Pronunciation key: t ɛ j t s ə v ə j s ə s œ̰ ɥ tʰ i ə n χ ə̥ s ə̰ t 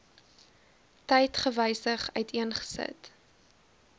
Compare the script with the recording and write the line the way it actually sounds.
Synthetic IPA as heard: t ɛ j t χ ə v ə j s ə χ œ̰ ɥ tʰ i ə n χ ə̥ s ə̰ t